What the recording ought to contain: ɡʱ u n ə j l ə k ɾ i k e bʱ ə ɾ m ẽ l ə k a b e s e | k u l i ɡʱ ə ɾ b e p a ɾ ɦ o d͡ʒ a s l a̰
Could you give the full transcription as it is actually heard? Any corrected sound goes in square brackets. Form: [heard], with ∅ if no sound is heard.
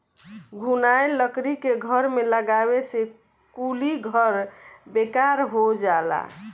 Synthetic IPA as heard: ɡʱ u n [a] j l ə k ɾ i k e [ɡʱ] ə ɾ m [e] l ə [ɡ] a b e s e | k u l i ɡʱ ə ɾ b e [k] a ɾ ɦ o d͡ʒ a [∅] l a̰